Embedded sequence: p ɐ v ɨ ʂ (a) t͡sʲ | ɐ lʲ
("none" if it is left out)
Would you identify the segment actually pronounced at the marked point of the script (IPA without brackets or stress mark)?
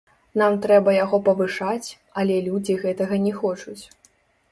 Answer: a